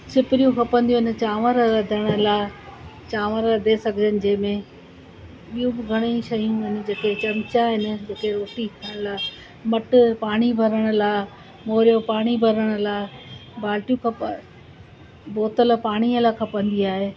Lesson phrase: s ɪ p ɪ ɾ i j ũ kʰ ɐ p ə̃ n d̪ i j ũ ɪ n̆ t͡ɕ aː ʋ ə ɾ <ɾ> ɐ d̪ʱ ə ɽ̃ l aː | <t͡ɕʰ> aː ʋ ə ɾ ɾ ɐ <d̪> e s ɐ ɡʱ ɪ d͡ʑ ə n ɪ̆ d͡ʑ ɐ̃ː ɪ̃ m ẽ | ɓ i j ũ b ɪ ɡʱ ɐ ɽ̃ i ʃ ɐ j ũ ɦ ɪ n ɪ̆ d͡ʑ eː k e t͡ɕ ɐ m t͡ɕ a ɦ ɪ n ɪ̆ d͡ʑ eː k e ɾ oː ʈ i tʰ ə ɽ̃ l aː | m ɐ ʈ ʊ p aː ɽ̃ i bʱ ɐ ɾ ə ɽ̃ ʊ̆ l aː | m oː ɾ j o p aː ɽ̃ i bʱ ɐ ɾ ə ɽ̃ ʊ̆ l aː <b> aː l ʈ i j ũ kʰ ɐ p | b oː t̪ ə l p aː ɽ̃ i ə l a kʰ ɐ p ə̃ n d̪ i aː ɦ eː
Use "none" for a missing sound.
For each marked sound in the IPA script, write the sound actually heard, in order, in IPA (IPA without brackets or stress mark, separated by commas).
ɾ, t͡ɕ, d̪, b